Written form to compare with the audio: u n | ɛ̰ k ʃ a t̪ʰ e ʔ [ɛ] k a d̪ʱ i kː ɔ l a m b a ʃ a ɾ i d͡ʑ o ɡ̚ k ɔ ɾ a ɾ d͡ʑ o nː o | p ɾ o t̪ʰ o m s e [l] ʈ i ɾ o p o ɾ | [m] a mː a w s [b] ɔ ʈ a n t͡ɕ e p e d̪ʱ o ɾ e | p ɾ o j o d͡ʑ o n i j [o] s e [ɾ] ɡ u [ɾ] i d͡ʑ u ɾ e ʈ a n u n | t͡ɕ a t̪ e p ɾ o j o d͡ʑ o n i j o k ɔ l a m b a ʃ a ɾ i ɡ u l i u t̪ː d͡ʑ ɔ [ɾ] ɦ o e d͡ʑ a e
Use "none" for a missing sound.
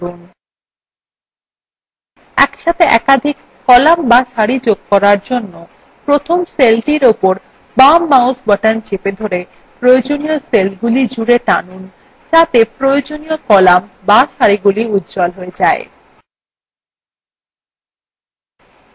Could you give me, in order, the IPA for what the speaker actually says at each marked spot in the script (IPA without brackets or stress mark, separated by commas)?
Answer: ɛ, l, b, b, o, l, l, l